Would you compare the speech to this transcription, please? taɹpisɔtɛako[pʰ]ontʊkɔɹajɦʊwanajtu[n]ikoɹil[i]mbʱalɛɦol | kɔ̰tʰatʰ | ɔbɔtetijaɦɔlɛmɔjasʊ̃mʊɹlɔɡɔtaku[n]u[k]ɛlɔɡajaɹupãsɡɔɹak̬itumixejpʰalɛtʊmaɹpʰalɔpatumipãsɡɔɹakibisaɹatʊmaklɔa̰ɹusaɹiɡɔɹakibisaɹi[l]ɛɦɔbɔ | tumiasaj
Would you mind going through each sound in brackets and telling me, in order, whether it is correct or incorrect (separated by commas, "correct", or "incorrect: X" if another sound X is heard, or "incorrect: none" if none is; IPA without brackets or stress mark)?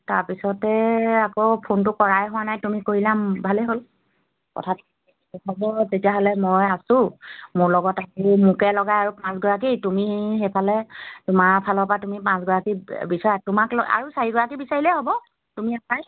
correct, incorrect: m, incorrect: a, incorrect: m, correct, correct